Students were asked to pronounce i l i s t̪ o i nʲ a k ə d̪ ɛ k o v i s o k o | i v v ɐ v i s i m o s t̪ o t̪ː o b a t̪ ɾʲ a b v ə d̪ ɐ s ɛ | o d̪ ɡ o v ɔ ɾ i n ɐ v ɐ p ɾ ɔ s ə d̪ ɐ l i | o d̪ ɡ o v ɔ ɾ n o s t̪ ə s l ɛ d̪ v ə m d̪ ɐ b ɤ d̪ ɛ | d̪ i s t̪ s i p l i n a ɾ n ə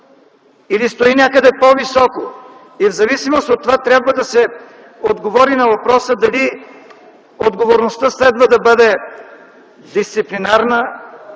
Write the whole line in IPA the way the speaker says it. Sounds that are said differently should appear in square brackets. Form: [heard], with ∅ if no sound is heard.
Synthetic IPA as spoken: i l i s t̪ o i nʲ a k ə d̪ ɛ [p] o v i s [ɔ] k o | i v [z] ɐ v i s i m o s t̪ o t̪ː o [v] a t̪ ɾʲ a b v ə d̪ ɐ s ɛ | o d̪ ɡ o v ɔ ɾ i n ɐ v ɐ p ɾ ɔ s ə d̪ ɐ l i | o d̪ ɡ o v [o] ɾ n o s t̪ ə s l ɛ d̪ v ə [∅] d̪ ɐ b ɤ d̪ ɛ | d̪ i s t̪ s i p l i n a ɾ n ə